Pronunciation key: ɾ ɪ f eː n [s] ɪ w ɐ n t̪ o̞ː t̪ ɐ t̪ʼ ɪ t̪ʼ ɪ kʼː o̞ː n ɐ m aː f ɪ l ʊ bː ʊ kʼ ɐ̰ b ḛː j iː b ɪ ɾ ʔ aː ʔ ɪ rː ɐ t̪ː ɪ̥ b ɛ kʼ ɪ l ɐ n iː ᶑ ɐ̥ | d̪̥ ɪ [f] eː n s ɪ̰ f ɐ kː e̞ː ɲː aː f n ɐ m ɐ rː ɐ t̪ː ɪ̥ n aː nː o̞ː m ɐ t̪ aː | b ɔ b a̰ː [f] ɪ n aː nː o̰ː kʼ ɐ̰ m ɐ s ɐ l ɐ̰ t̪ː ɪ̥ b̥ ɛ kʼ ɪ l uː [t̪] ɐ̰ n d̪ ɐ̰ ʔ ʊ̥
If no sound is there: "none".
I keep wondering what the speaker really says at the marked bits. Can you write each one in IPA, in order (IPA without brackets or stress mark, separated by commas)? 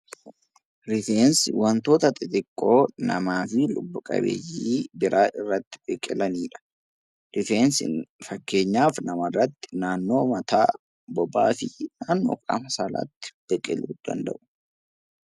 s, f, f, d̪